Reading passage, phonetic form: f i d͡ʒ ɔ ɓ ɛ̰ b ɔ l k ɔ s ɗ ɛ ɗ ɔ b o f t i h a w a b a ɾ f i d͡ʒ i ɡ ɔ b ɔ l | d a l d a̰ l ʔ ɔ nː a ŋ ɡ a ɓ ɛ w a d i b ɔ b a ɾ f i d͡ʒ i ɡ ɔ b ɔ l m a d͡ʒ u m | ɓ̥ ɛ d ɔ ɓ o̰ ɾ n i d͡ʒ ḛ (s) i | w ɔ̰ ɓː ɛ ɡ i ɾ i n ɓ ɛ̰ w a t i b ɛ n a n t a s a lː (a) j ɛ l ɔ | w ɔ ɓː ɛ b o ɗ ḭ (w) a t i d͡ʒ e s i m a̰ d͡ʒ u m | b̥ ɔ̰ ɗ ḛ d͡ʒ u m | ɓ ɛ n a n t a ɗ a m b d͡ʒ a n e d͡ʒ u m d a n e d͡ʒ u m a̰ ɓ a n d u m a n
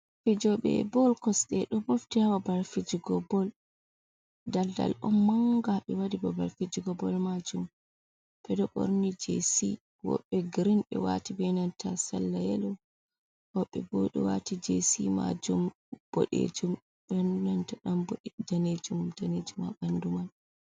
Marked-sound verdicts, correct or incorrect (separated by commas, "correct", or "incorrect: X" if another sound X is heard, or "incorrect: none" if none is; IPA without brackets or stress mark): correct, correct, correct